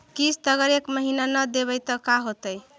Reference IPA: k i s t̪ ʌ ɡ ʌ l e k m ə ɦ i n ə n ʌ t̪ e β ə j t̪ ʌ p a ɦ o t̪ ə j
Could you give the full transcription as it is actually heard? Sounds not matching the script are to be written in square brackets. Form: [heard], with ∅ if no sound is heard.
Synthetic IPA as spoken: k i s t̪ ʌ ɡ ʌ [ɾ] e k m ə ɦ i n [a] n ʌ [d̪] e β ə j t̪ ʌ [k] a ɦ o t̪ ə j